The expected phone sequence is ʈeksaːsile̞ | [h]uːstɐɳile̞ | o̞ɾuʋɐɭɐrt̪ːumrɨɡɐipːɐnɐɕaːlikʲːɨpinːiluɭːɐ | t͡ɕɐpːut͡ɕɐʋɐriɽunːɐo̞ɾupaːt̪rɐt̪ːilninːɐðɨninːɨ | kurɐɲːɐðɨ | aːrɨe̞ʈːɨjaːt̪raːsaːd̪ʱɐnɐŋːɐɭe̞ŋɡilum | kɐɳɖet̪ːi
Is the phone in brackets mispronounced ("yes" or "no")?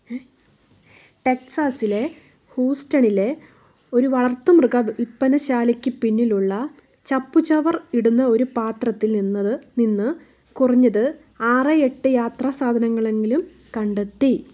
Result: no